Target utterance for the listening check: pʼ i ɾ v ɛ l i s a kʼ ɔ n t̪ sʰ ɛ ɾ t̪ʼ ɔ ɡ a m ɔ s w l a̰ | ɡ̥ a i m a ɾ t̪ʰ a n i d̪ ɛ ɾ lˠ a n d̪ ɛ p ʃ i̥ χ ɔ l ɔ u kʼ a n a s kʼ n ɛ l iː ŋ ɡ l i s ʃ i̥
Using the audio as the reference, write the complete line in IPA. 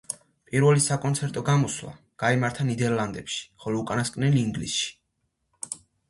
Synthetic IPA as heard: pʼ i ɾ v ɛ l i s a kʼ ɔ n t̪ sʰ ɛ ɾ t̪ʼ ɔ ɡ a m ɔ s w l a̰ | ɡ̥ a i m a ɾ t̪ʰ a n i d̪ ɛ ɾ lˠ a n d̪ ɛ p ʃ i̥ χ ɔ l ɔ u kʼ a n a s kʼ n ɛ l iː ŋ ɡ l i s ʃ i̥